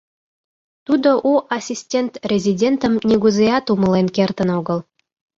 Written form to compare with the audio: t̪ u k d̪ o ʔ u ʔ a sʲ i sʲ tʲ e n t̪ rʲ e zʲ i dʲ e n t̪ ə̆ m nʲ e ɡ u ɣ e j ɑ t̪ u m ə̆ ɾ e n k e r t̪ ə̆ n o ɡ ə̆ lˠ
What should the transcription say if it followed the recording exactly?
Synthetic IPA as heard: t̪ u d̪ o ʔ u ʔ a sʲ i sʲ tʲ e n t̪ rʲ e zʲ i dʲ e n t̪ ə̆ m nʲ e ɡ u z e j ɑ t̪ u m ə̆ l e n k e r t̪ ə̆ n o ɡ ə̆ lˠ

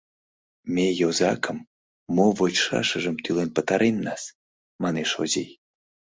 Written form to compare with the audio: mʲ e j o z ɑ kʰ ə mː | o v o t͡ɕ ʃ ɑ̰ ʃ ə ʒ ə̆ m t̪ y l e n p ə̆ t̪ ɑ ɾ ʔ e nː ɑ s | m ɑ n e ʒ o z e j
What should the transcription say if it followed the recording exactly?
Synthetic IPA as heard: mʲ e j o z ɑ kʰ ə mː | o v o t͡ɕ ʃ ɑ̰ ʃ ə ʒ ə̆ m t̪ y l e n p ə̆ t̪ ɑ ɾ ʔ e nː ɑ s | m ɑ n e ʃ o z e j

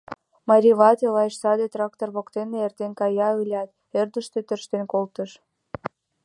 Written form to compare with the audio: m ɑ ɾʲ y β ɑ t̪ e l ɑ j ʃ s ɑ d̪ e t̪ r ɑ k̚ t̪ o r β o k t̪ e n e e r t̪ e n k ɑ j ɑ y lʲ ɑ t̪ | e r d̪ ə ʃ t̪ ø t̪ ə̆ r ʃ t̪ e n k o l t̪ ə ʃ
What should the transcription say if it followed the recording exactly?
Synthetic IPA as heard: m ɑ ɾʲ i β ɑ t̪ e l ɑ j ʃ s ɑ d̪ e t̪ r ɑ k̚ t̪ o r β o k t̪ e n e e r t̪ e n k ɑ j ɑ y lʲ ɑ t̪ | e r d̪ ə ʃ t̪ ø t̪ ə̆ r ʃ t̪ e n k o l t̪ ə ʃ

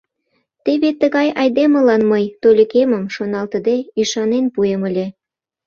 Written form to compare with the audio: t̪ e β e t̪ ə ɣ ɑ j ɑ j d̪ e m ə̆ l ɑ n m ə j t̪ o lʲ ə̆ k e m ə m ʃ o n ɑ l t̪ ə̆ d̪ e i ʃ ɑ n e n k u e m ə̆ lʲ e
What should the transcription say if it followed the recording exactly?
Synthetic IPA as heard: t̪ e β e t̪ ə ɣ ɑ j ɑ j d̪ e m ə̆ l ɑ n m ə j t̪ o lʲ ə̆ k e m ə m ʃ o n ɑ l t̪ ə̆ d̪ e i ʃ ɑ n e n p u e m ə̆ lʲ e

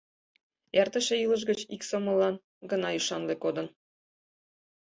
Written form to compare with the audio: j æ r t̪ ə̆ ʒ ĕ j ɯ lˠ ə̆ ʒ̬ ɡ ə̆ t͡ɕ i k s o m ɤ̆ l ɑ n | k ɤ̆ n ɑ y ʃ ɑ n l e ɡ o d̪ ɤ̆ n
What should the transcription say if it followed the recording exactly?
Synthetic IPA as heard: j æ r t̪ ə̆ ʃ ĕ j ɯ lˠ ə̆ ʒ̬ ɡ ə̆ t͡ɕ i k s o m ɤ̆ l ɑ n | ɡ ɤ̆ n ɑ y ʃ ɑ n l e k o d̪ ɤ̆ n

